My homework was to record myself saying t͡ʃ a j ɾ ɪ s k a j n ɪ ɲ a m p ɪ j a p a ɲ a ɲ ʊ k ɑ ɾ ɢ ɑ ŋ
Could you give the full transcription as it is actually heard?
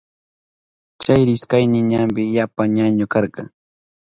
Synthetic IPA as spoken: t͡ʃ a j ɾ ɪ s k a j n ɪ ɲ a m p ɪ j a p a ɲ a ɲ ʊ k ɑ ɾ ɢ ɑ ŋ